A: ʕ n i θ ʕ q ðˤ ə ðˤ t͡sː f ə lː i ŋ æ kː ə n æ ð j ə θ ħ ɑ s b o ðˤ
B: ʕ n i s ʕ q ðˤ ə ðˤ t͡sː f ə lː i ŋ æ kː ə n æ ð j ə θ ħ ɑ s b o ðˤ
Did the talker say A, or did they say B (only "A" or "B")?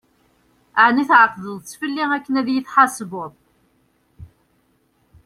A